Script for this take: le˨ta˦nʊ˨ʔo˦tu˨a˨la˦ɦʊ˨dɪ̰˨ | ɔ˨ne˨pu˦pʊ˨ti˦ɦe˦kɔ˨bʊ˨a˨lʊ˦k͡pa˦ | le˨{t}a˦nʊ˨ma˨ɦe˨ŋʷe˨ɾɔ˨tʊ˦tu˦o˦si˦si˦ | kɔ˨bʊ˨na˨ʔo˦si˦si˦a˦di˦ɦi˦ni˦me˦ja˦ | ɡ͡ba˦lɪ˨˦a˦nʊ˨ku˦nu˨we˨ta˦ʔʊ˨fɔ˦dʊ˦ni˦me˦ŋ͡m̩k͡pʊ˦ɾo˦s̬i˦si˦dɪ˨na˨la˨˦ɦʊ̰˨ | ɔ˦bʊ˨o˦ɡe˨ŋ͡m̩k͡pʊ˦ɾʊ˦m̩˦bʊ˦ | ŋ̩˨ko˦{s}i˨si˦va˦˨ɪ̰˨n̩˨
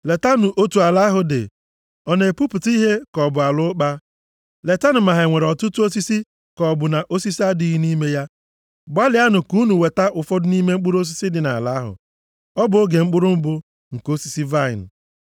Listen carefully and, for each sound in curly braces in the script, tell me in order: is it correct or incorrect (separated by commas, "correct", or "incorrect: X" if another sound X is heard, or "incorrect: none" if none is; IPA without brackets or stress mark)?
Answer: correct, correct